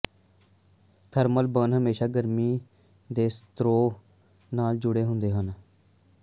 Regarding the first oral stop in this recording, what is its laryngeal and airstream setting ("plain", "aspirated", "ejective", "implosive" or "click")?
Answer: aspirated